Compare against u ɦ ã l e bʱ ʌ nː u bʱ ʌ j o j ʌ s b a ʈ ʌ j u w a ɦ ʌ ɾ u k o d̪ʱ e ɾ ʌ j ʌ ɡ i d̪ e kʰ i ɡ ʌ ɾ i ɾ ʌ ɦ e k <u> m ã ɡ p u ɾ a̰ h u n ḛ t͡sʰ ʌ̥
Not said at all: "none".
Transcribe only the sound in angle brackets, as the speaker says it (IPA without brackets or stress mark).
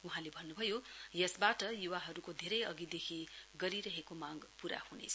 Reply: o